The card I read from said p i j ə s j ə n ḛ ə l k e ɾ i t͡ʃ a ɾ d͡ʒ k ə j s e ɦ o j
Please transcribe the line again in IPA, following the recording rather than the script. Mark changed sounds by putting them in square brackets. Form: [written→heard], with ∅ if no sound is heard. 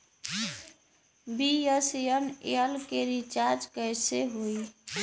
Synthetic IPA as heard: [p→b] i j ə s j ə n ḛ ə l k e ɾ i t͡ʃ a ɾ d͡ʒ k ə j s e ɦ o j